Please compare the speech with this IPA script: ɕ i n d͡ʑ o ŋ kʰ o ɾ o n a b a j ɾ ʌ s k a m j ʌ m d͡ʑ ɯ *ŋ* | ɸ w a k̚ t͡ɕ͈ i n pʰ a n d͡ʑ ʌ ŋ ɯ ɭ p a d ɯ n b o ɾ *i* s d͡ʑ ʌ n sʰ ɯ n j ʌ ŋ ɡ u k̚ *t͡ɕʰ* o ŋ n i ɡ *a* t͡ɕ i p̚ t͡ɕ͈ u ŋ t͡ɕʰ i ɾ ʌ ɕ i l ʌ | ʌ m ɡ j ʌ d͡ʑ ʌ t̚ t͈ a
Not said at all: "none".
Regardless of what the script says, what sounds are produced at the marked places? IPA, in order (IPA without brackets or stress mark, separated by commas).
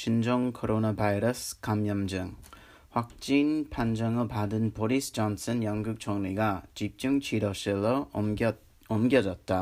ŋ, i, t͡ɕʰ, a